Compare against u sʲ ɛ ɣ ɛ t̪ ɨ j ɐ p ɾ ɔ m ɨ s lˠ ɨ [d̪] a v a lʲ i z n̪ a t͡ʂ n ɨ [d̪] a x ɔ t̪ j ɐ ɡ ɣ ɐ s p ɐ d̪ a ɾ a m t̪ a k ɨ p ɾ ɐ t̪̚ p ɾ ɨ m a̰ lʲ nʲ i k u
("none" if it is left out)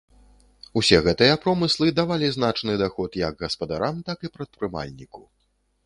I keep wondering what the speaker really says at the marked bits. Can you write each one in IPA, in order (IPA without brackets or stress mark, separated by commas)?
d̪, d̪